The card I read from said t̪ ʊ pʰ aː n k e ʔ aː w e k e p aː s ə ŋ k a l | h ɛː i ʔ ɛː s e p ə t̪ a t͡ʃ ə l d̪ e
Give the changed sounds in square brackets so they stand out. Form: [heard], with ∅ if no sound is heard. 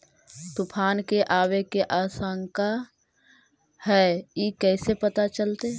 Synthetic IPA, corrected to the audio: t̪ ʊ pʰ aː n k e ʔ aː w e k e [ʔ] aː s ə ŋ k a [∅] | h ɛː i [k] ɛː s e p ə t̪ a t͡ʃ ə l [t̪] e

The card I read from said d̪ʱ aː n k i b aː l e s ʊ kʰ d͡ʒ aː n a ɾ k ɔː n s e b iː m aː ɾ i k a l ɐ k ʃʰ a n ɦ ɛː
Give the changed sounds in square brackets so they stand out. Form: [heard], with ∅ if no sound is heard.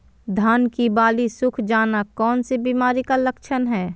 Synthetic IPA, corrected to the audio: d̪ʱ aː n k i b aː l [i] s ʊ kʰ d͡ʒ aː n a [∅] k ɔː n s e b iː m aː ɾ i k a l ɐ k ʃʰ [ə] n ɦ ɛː

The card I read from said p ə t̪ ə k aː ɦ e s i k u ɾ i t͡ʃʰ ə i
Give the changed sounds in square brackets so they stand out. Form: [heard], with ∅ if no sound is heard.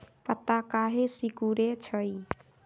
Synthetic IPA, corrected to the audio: p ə t̪ [a] k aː ɦ e s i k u ɾ [e] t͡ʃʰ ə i

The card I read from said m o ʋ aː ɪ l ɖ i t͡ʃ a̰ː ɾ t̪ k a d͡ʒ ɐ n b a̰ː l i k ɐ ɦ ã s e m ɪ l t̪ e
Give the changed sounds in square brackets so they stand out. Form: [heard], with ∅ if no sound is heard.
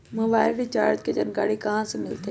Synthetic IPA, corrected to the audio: m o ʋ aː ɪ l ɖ i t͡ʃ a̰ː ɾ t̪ k [e] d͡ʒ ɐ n [ɡ] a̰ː [ɽ] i k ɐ ɦ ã s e m ɪ l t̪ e

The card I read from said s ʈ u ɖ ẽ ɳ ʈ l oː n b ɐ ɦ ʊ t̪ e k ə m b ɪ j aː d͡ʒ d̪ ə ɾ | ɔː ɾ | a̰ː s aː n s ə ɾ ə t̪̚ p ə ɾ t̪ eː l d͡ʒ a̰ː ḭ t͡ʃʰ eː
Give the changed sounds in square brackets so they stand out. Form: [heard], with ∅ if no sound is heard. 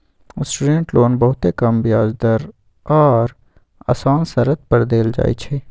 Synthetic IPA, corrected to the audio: s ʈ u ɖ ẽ ɳ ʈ l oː n b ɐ ɦ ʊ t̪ e k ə m b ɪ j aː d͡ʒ d̪ ə ɾ | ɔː ɾ | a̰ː s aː n s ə ɾ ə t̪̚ p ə ɾ [d̪] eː l d͡ʒ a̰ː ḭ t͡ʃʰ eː

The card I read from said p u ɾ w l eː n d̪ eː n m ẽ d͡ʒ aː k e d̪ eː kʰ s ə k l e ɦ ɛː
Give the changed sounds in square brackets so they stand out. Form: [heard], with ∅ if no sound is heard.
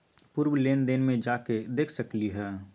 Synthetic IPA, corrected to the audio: p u ɾ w l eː n d̪ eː n m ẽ d͡ʒ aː k e d̪ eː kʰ s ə k l [i] ɦ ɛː

